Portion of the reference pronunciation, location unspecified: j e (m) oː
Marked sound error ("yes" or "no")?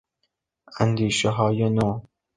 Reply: yes